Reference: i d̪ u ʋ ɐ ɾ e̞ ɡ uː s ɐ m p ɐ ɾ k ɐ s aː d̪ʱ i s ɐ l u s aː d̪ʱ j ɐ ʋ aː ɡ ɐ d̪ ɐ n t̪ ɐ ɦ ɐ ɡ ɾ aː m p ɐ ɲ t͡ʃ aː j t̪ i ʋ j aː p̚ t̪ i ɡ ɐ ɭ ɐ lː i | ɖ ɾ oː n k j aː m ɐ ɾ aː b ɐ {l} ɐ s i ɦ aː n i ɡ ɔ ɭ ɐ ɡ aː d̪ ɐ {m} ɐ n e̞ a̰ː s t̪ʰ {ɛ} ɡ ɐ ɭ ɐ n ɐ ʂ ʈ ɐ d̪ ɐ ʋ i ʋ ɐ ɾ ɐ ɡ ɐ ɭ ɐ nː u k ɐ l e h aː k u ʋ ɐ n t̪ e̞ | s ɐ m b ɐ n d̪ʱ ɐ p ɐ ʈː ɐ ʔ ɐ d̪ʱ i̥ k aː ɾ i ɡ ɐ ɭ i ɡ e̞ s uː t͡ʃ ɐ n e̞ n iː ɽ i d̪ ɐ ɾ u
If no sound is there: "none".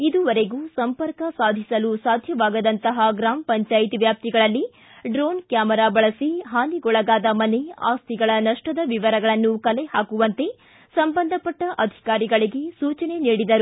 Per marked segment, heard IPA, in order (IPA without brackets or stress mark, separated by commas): ɭ, m, i